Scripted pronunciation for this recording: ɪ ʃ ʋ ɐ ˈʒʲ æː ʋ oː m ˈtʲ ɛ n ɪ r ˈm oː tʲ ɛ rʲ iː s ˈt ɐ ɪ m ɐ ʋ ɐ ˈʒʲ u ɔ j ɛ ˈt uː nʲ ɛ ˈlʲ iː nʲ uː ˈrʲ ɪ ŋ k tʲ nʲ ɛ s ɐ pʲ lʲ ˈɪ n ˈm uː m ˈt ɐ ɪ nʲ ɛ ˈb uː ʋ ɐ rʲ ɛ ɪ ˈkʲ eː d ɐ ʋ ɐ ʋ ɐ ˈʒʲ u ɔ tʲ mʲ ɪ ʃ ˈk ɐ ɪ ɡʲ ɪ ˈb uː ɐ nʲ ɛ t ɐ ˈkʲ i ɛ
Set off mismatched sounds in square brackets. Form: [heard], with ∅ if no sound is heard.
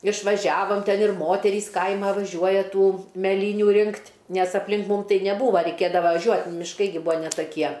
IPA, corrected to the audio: ɪ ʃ ʋ ɐ ˈʒʲ æː ʋ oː m ˈtʲ ɛ n ɪ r ˈm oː tʲ ɛ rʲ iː s [ˈk] ɐ ɪ m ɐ ʋ ɐ ˈʒʲ u ɔ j ɛ ˈt uː [mʲ] ɛ ˈlʲ iː nʲ uː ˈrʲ ɪ ŋ k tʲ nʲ ɛ s ɐ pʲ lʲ ˈɪ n ˈm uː m ˈt ɐ ɪ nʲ ɛ ˈb uː ʋ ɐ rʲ ɛ ɪ ˈkʲ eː d ɐ ʋ ɐ ʋ ɐ ˈʒʲ u ɔ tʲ mʲ ɪ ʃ ˈk ɐ ɪ ɡʲ ɪ ˈb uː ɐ nʲ ɛ t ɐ ˈkʲ i ɛ